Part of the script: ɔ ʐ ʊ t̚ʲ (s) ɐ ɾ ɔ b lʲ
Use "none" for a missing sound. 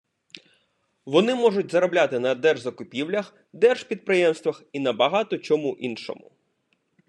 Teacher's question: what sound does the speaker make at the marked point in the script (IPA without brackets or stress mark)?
z